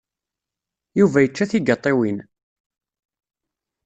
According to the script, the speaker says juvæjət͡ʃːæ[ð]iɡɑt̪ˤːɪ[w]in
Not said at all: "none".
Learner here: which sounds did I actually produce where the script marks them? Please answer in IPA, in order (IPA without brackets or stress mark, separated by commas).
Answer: θ, w